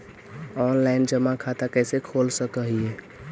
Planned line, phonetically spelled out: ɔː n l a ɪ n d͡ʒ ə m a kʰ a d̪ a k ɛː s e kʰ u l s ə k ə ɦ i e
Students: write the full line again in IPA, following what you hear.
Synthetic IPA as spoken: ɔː n l a ɪ n d͡ʒ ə m a kʰ a t̪ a k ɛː s e kʰ o l s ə k ə ɦ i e